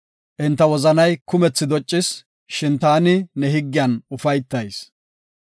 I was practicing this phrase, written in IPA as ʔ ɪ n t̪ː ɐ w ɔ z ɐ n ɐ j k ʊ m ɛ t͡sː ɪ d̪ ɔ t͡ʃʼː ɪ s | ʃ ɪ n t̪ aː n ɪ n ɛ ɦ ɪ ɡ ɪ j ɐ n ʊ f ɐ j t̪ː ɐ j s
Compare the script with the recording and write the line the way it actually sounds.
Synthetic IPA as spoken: ʔ ɪ n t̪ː ɐ w ɔ z ɐ n ɐ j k ʊ m ɛ t͡sː ɪ d̪ ɔ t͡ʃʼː ɪ s | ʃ ɪ n t̪ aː n ɪ n ɛ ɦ ɪ ɡː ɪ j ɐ n ʊ f ɐ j t̪ː ɐ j s